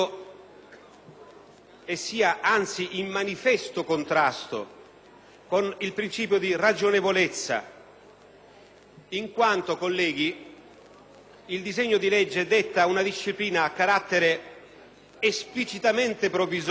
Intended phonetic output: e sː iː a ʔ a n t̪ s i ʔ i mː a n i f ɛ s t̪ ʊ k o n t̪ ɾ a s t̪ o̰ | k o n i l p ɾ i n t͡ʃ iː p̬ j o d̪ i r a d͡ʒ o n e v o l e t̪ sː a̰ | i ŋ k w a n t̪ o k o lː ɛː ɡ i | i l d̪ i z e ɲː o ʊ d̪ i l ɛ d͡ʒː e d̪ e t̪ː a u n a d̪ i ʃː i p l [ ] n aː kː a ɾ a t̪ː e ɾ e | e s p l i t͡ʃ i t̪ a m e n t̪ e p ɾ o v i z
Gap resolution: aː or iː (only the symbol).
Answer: iː